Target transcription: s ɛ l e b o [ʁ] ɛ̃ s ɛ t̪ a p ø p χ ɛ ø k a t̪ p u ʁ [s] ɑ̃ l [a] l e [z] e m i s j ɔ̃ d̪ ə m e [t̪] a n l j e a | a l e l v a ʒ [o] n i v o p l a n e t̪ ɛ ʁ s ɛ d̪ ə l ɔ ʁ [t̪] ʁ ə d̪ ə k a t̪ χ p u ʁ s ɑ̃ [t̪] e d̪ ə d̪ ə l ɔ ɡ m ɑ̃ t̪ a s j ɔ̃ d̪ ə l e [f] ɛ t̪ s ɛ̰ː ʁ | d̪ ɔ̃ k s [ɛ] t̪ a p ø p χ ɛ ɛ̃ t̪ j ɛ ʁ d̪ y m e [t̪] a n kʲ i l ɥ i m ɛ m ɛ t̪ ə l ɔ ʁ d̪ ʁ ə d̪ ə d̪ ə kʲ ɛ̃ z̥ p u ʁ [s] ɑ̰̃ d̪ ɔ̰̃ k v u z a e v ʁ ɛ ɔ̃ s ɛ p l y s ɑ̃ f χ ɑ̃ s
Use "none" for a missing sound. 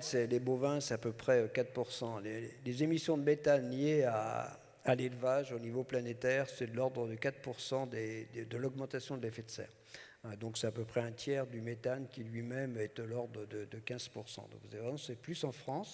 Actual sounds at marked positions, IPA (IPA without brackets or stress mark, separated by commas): v, s, e, z, t̪, o, d̪, d̪, f, ɛ, t̪, s